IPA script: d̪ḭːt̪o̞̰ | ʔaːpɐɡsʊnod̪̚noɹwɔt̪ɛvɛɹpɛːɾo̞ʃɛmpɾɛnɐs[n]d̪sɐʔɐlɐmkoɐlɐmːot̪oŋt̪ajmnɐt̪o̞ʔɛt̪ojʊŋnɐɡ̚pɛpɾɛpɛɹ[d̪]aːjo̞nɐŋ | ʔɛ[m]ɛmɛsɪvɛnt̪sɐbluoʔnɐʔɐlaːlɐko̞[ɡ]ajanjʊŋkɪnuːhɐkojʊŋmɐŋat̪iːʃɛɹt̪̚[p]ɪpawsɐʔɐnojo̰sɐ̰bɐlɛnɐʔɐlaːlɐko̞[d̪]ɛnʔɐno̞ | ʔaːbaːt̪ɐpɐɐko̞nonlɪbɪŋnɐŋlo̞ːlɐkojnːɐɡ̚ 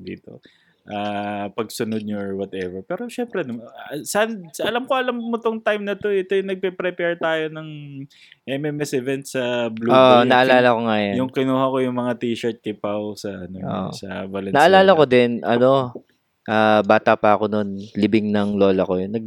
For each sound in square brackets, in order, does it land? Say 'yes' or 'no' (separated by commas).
yes, no, yes, no, no, yes